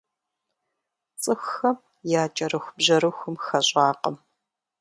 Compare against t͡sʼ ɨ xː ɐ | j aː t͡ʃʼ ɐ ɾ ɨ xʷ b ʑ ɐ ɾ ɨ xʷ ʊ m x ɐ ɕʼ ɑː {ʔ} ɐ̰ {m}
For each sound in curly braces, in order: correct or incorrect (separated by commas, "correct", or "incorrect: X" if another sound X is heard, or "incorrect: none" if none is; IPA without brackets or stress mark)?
incorrect: q, correct